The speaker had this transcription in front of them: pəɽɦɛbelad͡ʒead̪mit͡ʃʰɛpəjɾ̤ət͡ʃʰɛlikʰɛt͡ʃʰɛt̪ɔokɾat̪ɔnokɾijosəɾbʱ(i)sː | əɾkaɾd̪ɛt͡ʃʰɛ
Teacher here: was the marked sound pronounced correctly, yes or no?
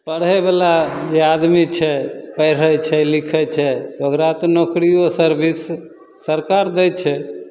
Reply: yes